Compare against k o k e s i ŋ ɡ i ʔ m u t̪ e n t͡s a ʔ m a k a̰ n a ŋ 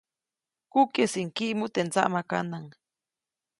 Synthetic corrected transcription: k u k e s i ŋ k i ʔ m u t̪ e n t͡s a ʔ m a k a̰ n a ŋ